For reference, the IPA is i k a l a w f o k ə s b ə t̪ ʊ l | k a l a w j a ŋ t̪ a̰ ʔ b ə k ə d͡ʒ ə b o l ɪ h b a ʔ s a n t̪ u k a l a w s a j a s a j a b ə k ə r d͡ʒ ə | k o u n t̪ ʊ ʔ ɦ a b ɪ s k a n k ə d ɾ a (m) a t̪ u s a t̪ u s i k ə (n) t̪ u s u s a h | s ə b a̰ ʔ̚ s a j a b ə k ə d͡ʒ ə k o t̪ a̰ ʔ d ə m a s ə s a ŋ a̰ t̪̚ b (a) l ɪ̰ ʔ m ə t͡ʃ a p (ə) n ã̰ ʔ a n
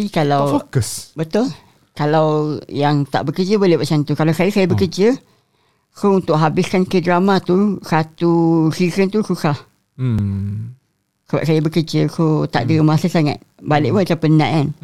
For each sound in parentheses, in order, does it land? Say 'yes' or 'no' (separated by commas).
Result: yes, yes, yes, yes